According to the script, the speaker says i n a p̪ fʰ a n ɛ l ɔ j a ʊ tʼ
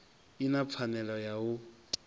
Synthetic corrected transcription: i n a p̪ fʰ a n ɛ l ɔ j a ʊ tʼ